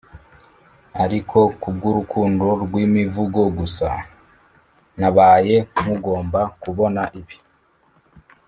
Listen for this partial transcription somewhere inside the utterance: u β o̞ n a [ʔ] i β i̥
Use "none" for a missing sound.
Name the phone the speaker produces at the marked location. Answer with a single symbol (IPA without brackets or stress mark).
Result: ʔ